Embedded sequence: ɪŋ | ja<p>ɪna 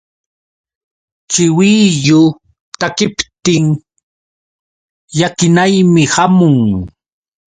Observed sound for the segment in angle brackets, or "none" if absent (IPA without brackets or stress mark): k